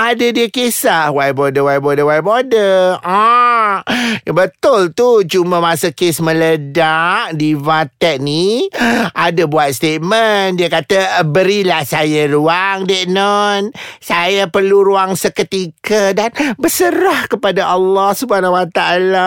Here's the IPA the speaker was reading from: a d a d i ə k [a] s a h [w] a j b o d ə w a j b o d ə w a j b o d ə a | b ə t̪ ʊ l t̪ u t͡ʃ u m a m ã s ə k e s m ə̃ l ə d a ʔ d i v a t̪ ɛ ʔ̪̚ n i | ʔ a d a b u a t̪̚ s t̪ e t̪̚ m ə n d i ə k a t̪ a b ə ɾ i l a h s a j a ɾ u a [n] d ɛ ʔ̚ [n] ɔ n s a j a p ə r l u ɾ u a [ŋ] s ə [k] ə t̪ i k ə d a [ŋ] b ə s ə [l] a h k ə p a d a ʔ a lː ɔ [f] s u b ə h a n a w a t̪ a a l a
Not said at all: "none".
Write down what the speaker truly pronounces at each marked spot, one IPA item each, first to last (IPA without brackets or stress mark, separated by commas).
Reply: e, w, ŋ, n, ŋ, k, n, ɾ, h